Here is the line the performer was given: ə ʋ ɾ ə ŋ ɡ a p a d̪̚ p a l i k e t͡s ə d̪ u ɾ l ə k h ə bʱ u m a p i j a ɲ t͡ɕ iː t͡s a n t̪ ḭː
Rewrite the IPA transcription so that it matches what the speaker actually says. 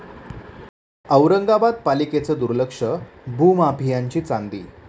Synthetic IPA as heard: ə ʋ ɾ ə ŋ ɡ a b a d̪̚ p a l i k e t͡s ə d̪ u ɾ l ə k ʂ ə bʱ u m a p i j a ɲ t͡ɕ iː t͡s a n d̪ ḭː